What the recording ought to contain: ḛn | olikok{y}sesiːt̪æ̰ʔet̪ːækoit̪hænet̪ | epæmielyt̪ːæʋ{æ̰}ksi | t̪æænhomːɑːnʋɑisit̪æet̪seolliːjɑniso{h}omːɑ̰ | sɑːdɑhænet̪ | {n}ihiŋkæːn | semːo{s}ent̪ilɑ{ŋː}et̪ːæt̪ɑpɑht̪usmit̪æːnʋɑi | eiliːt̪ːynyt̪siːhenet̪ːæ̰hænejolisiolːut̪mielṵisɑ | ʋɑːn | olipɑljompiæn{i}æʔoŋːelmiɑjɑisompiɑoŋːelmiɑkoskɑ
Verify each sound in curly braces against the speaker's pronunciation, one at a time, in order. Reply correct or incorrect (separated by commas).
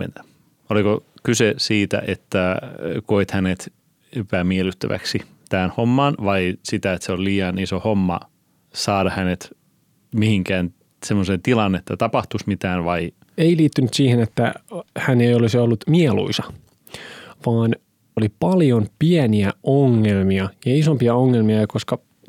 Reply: correct, correct, correct, incorrect, correct, incorrect, correct